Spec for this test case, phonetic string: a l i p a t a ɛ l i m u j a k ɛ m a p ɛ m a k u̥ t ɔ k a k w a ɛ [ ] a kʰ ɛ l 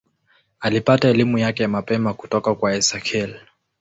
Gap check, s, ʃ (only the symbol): s